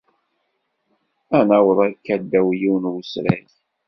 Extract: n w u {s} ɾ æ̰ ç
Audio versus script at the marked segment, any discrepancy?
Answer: no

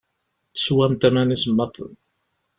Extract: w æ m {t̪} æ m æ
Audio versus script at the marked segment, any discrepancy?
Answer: no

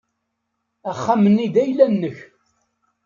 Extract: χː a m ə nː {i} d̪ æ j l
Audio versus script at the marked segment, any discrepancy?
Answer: no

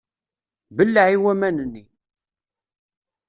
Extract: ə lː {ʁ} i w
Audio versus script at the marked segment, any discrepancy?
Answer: yes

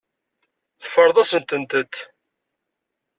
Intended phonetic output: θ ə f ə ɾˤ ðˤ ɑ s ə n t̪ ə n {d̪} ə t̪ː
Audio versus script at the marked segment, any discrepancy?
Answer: yes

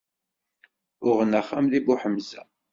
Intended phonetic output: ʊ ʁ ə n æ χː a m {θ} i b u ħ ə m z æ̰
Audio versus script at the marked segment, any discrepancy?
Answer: yes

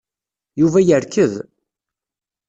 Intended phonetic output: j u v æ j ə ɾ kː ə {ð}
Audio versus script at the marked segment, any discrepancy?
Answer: no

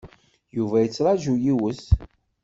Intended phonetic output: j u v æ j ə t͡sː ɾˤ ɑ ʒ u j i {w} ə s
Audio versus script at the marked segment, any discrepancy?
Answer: no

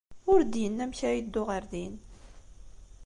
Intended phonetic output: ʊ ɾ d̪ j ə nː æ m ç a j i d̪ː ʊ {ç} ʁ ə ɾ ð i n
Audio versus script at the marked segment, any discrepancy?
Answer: yes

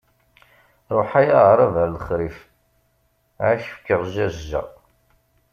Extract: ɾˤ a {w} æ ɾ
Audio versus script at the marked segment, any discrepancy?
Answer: yes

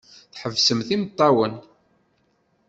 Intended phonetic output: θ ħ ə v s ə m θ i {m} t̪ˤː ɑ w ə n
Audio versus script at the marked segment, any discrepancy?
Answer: no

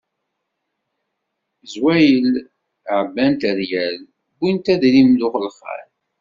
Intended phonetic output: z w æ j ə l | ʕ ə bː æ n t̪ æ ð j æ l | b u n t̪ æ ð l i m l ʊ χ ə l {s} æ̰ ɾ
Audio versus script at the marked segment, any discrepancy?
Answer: yes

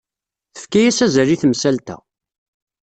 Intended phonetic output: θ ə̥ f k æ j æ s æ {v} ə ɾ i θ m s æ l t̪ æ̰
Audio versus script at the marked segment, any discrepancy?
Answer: yes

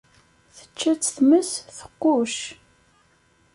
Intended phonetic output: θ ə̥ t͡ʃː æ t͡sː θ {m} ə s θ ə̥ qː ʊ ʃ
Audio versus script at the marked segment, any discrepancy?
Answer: no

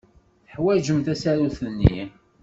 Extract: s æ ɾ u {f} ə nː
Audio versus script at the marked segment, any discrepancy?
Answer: yes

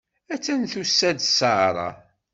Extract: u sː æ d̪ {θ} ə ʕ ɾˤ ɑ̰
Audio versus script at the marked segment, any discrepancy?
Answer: yes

